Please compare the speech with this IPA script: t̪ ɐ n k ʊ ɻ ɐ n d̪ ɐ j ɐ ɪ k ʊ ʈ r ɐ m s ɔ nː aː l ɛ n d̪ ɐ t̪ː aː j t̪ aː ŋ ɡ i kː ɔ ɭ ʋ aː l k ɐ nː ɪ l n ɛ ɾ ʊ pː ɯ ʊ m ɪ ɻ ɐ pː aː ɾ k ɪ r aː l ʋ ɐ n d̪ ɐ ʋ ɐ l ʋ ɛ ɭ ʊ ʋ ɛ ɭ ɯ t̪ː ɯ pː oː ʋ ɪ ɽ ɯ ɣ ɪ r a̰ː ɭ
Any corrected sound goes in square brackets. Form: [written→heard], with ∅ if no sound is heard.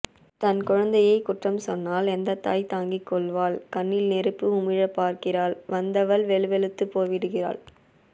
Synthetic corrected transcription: t̪ ɐ n k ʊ ɻ ɐ n d̪ ɐ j ɐ ɪ k ʊ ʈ r ɐ m s ɔ nː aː l ɛ n d̪ ɐ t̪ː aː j t̪ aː ŋ ɡ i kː ɔ ɭ ʋ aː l k ɐ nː ɪ l n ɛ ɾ [ʊ→ɯ] pː ɯ ʊ m ɪ ɻ ɐ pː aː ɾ k ɪ r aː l ʋ ɐ n d̪ ɐ ʋ ɐ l ʋ ɛ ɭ [ʊ→ɯ] ʋ ɛ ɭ ɯ t̪ː ɯ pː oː ʋ ɪ ɽ ɯ ɣ ɪ r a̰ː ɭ

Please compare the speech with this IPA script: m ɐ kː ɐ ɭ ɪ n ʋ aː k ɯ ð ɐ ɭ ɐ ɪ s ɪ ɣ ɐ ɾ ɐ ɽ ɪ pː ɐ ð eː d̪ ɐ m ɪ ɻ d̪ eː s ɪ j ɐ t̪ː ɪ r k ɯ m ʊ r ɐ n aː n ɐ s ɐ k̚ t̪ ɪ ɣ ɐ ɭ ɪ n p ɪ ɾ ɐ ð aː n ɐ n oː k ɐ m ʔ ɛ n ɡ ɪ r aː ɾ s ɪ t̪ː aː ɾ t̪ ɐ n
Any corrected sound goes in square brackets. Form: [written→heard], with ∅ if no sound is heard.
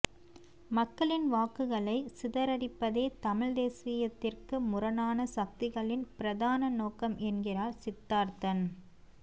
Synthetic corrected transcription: m ɐ kː ɐ ɭ ɪ n ʋ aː k ɯ [ð→ɣ] ɐ ɭ ɐ ɪ s ɪ [ɣ→ð] ɐ ɾ ɐ ɽ ɪ pː ɐ ð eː [d̪→t̪] ɐ m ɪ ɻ d̪ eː s ɪ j ɐ t̪ː ɪ r k ɯ m ʊ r ɐ n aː n ɐ s ɐ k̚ t̪ ɪ ɣ ɐ ɭ ɪ n p ɪ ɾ ɐ ð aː n ɐ n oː k ɐ m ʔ ɛ n ɡ ɪ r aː ɾ s ɪ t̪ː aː ɾ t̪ ɐ n

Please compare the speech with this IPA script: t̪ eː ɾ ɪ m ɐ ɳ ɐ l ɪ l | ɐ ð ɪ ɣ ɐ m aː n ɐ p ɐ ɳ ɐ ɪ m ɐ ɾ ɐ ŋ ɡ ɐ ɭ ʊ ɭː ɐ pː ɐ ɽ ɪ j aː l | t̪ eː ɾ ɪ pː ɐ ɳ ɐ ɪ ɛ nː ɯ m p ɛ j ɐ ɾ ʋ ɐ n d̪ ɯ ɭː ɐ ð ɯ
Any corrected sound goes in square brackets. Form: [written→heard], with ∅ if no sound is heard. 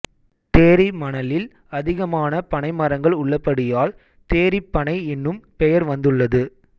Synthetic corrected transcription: t̪ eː ɾ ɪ m ɐ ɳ ɐ l ɪ l | ɐ ð ɪ ɣ ɐ m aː n ɐ p ɐ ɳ ɐ ɪ m ɐ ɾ ɐ ŋ ɡ ɐ ɭ ʊ ɭː ɐ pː ɐ ɽ ɪ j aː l | t̪ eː ɾ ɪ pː ɐ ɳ ɐ ɪ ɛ nː ɯ m p ɛ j ɐ ɾ ʋ ɐ n d̪ ɯ ɭː ɐ ð ɯ

